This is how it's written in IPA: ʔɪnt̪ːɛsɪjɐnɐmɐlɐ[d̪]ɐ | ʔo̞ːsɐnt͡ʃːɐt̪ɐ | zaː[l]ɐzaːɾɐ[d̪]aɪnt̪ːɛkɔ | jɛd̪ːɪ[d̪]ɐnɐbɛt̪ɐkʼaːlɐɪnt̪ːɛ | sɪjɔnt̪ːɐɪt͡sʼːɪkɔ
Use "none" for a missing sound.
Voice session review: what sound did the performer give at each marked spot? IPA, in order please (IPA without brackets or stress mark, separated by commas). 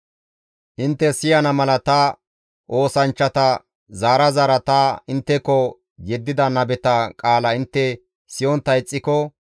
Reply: t̪, ɾ, t̪, d̪